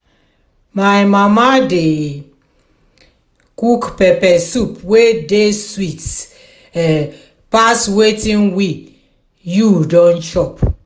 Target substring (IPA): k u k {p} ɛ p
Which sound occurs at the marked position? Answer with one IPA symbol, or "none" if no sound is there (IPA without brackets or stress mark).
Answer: p